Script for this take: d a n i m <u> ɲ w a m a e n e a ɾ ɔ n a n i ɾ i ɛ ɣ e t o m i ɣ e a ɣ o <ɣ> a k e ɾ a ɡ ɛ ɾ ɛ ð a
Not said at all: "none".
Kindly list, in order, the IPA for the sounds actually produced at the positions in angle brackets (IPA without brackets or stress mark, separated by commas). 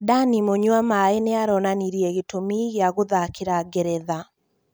o, ð